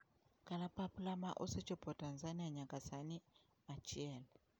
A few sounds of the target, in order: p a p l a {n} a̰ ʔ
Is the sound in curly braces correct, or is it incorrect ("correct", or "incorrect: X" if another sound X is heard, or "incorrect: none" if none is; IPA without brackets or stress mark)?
incorrect: m